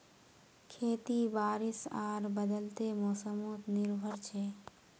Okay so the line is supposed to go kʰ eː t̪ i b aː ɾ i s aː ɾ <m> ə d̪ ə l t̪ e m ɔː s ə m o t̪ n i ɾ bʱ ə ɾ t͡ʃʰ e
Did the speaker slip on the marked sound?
yes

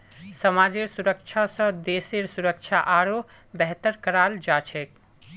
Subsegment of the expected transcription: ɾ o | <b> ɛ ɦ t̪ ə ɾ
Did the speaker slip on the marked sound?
no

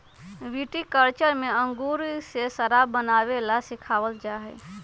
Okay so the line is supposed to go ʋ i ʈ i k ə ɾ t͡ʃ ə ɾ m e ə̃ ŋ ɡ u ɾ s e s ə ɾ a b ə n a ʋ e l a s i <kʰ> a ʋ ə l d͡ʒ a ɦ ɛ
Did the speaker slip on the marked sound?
no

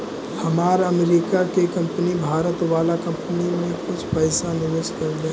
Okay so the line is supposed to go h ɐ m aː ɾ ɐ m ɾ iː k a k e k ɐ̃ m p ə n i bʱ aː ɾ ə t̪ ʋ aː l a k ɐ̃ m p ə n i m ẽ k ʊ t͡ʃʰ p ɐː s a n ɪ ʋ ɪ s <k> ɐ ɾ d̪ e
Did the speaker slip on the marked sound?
no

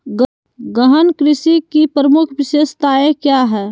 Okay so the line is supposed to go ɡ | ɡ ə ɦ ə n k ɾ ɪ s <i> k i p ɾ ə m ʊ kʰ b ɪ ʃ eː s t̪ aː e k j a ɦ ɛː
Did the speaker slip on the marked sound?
no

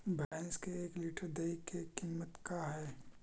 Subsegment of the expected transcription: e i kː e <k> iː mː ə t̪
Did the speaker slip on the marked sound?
no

